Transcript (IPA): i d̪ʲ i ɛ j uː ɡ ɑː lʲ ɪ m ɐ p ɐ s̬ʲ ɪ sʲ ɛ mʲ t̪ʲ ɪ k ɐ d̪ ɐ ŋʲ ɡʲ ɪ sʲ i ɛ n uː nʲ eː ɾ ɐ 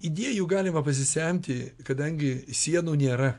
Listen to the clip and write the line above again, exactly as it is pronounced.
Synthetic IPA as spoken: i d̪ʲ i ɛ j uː ɡ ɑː lʲ ɪ m ɐ p ɐ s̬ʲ ɪ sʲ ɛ mʲ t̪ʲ ɪ k ɐ d̪ ɐ ŋʲ ɡʲ ɪ sʲ i ɛ n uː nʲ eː ɾ ɐ

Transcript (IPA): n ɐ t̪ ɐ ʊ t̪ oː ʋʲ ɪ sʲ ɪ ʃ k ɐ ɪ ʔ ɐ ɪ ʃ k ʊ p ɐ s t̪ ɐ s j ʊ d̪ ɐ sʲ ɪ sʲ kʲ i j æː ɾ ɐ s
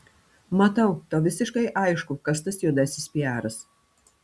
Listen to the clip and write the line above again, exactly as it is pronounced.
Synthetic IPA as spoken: m ɐ t̪ ɐ ʊ t̪ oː ʋʲ ɪ sʲ ɪ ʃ k ɐ ɪ ʔ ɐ ɪ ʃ k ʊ k ɐ s t̪ ɐ s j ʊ d̪ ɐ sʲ ɪ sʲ pʲ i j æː ɾ ɐ s

